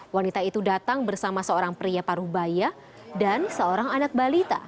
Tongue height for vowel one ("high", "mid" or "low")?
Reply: low